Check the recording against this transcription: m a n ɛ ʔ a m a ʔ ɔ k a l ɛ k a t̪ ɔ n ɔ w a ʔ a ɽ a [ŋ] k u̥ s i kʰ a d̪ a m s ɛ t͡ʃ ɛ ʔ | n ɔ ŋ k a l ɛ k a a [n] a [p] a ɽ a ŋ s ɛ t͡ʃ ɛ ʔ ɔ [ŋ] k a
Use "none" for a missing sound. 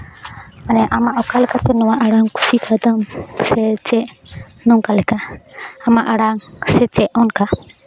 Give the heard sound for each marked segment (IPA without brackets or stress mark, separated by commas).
ŋ, m, ʔ, n